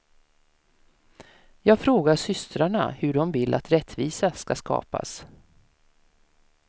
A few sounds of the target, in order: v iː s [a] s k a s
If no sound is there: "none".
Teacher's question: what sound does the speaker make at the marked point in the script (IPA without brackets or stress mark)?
a